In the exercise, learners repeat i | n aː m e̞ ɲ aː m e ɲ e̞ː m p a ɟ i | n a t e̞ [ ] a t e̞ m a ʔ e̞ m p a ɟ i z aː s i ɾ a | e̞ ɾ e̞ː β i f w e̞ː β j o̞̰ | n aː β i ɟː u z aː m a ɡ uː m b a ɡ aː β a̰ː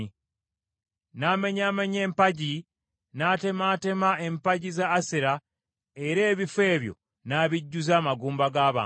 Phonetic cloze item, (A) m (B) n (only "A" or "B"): A